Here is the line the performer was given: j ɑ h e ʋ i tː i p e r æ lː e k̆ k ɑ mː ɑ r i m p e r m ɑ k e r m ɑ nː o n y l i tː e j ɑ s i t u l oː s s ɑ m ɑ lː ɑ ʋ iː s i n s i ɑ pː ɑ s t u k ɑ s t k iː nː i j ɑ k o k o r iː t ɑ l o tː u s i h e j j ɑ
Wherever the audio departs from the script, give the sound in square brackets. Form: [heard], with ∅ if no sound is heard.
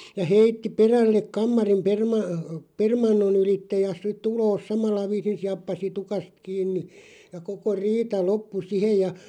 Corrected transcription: j ɑ h e [∅] i tː i p e r æ lː e k̆ k ɑ mː ɑ r i m p e r m ɑ [p] e r m ɑ nː o n y l i tː e j ɑ s i t u l oː s s ɑ m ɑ lː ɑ ʋ iː s i n s i ɑ pː ɑ s t u k ɑ s t k iː nː i j ɑ k o k o r iː t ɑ l o [pː] u s i h e j j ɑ